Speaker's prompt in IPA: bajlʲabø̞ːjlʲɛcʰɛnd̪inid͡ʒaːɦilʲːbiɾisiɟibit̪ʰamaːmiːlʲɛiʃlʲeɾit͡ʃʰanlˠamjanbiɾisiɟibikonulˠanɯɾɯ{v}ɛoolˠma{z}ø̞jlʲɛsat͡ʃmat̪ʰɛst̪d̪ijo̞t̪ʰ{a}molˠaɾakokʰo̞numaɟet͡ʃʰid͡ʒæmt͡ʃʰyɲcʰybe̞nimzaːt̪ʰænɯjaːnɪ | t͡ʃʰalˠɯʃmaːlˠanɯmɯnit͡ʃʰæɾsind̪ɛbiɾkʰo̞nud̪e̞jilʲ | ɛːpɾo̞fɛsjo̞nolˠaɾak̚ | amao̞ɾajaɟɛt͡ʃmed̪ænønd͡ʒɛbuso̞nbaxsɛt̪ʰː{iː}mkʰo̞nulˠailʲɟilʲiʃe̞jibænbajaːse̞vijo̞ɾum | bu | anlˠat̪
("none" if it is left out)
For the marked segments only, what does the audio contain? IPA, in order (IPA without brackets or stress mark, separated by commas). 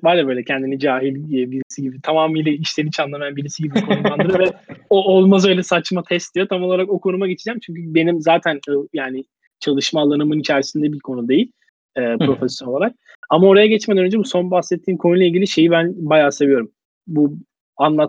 v, z, a, iː